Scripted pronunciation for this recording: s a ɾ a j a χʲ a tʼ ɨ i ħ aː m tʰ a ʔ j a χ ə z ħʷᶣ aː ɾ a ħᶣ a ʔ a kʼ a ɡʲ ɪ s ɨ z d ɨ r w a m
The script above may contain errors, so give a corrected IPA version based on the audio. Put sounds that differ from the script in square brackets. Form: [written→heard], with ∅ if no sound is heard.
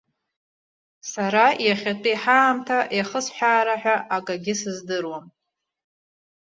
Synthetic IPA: s a ɾ a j a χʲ a tʼ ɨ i ħ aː m tʰ a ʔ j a χ ə [z→s] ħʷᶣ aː ɾ a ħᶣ a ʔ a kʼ a ɡʲ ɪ s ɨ z d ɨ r w a m